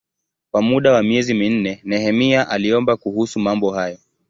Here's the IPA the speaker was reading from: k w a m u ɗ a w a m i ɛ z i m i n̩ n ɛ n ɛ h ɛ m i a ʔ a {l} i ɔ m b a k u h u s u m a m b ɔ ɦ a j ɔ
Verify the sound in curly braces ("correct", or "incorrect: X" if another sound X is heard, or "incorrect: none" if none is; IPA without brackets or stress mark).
correct